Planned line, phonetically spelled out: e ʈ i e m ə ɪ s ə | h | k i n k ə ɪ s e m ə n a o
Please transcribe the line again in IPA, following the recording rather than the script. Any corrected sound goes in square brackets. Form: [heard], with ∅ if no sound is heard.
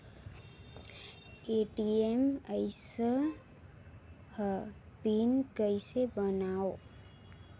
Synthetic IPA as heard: e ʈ i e m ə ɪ s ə | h | [p] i n k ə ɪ s e [b] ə n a o